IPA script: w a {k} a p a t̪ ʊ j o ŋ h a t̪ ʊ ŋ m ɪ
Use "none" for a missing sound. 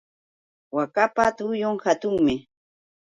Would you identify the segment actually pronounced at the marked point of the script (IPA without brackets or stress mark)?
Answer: k